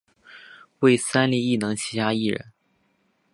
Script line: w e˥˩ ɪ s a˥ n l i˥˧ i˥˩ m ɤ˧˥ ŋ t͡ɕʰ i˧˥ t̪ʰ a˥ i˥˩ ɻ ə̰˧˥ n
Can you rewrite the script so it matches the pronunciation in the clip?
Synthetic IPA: w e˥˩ ɪ s a˥ n l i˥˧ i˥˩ n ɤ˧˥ ŋ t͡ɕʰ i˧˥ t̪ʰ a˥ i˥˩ ɻ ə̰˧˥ n

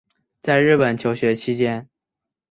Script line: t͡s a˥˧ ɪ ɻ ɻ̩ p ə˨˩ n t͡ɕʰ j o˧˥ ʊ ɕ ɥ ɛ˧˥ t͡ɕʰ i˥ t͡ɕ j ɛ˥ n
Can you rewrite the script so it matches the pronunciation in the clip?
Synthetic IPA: t͡s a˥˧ ɪ ɻ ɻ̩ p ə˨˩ n t͡ɕʰ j o˧˥ ʊ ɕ ɥ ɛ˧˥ t͡ɕʰ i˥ t͡ɕ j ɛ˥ n

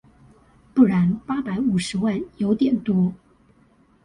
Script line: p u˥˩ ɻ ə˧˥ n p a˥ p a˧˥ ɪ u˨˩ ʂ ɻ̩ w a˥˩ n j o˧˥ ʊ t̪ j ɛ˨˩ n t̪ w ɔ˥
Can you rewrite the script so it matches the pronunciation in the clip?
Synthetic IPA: p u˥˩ ɻ a˧˥ n p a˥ p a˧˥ ɪ u˨˩ ʂ ɻ̩ w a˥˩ n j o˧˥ ʊ t̪ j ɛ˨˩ n t̪ w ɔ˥

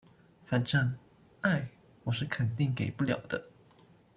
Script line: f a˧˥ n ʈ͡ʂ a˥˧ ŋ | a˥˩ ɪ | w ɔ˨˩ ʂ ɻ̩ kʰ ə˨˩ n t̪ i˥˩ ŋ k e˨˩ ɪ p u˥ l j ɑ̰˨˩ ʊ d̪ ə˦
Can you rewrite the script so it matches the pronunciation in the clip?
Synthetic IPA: f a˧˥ n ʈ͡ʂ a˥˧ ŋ | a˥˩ ɪ | w ɔ˨˩ ʂ ɻ̩ kʰ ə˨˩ n t̪ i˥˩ ŋ k e˨˩ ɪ p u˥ l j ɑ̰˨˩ ʊ d̪ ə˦

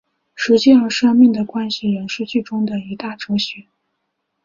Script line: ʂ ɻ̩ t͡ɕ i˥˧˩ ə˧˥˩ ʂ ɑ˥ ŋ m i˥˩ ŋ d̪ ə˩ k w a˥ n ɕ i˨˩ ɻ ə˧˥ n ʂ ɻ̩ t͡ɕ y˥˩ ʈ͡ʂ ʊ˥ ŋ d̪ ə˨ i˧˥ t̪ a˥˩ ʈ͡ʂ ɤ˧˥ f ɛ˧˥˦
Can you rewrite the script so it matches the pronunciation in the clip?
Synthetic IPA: ʂ ɻ̩ t͡ɕ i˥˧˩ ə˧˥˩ ʂ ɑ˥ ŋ m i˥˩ ŋ d̪ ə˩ k w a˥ n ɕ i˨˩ ɻ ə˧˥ n ʂ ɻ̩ t͡ɕ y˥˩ ʈ͡ʂ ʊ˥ ŋ d̪ ə˨ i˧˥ t̪ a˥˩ ʈ͡ʂ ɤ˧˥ ɕ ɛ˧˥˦

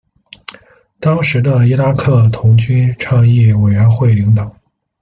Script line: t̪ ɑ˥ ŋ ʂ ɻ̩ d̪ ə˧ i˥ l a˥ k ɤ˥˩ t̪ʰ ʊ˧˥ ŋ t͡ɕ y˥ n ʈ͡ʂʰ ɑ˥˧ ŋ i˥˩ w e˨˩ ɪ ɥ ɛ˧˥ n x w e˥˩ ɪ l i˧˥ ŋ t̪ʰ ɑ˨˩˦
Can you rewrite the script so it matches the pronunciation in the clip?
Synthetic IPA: t̪ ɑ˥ ŋ ʂ ɻ̩ d̪ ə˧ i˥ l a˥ kʰ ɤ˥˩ t̪ʰ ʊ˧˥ ŋ t͡ɕ y˥ n ʈ͡ʂʰ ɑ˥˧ ŋ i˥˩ w e˨˩ ɪ ɥ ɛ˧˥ n x w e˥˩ ɪ l i˧˥ ŋ t̪ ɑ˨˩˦

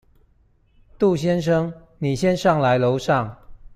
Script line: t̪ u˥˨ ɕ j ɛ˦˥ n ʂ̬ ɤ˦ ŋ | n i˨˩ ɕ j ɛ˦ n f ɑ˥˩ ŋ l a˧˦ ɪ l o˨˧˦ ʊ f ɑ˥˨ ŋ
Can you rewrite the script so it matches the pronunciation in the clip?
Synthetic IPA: t̪ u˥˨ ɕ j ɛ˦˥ n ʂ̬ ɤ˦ ŋ | n i˨˩ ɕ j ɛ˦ n ʂ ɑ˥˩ ŋ l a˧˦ ɪ l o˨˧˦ ʊ ʂ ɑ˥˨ ŋ

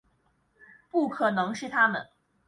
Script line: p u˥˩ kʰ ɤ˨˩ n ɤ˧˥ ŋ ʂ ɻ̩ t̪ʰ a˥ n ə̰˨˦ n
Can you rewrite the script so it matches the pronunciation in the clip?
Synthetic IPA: p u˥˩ kʰ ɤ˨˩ n ɤ˧˥ ŋ ʂ ɻ̩ t̪ʰ a˥ m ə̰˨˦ n

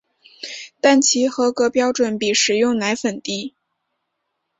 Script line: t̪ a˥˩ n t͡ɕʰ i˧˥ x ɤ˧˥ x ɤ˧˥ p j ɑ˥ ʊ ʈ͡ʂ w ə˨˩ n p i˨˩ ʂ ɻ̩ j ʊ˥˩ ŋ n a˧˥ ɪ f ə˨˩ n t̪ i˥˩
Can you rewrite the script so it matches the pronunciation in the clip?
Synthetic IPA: t̪ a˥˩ n t͡ɕʰ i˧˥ x ɤ˧˥ k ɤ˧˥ p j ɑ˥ ʊ ʈ͡ʂ w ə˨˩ n p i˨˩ ʂ ɻ̩ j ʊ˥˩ ŋ n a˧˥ ɪ f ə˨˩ n t̪ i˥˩

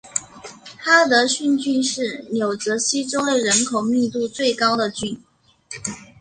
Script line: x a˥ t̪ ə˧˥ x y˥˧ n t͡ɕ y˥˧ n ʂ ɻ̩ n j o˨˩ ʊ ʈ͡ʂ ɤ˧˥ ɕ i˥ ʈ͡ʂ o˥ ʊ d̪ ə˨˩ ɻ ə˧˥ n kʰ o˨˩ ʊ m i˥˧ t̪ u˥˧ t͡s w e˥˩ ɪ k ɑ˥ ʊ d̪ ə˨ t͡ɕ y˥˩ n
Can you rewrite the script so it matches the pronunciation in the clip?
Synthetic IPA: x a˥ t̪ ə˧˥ ɕ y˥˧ n t͡ɕ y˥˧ n ʂ ɻ̩ n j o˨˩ ʊ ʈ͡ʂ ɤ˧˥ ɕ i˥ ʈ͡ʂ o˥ ʊ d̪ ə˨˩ ɻ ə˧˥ n kʰ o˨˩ ʊ m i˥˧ t̪ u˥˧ t͡s w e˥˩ ɪ k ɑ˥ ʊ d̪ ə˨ t͡ɕ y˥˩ n

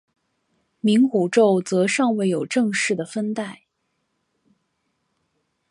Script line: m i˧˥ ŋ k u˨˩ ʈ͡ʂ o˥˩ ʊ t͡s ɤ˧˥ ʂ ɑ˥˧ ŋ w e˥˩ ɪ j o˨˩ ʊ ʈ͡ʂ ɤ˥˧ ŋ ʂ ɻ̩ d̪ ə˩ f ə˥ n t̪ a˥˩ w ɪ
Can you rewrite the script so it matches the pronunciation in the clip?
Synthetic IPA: m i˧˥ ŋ k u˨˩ ʈ͡ʂ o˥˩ ʊ t͡s ɤ˧˥ ʂ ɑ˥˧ ŋ w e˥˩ ɪ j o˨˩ ʊ ʈ͡ʂ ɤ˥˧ ŋ ʂ ɻ̩ d̪ ə˩ f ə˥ n t̪ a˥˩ ɪ

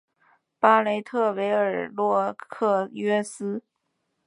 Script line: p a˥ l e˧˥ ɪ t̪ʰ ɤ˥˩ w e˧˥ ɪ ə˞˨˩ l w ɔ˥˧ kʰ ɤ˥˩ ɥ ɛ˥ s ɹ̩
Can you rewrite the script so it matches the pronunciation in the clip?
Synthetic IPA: p a˥ l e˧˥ ɪ t̪ʰ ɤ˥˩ w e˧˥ ɪ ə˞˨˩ l w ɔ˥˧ kʰ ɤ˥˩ ɥ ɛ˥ s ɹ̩

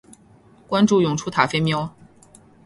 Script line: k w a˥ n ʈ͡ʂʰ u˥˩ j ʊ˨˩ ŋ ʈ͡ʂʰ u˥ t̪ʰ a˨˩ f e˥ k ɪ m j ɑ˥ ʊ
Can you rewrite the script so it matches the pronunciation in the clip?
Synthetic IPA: k w a˥ n ʈ͡ʂ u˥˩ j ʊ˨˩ ŋ ʈ͡ʂʰ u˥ t̪ʰ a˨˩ f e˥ ɪ m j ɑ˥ ʊ

